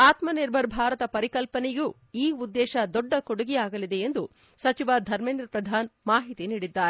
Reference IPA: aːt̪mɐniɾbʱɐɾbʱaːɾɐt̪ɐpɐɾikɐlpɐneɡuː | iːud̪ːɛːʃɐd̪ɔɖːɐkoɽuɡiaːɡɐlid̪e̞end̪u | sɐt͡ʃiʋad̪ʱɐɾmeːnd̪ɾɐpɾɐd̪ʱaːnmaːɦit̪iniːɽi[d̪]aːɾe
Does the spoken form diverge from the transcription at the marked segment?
yes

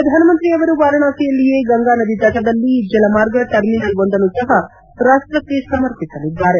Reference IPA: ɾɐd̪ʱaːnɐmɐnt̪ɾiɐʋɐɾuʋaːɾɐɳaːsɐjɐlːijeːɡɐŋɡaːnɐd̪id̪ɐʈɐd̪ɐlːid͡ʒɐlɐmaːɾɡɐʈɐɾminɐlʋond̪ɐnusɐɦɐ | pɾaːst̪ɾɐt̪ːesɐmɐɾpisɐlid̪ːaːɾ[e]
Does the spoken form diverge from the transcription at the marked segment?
no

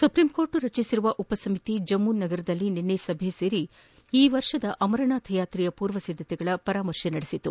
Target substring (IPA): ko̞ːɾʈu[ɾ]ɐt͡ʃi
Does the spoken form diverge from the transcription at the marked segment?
no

